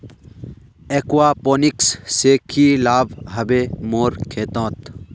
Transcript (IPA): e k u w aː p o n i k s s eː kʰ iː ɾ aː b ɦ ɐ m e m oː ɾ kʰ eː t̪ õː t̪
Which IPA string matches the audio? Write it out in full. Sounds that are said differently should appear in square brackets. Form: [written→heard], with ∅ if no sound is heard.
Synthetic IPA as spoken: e k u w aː p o n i k s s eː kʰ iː [ɾ→l] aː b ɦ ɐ [m→b] e m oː ɾ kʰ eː t̪ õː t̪